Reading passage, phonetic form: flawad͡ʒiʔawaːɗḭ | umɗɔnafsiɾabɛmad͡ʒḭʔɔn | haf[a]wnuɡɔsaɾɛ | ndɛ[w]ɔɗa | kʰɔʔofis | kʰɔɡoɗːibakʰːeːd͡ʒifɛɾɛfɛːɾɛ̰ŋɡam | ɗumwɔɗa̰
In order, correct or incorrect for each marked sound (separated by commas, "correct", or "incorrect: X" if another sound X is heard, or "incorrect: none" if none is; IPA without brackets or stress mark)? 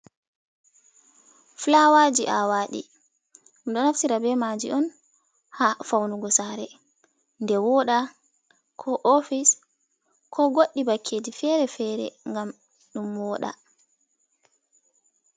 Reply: correct, correct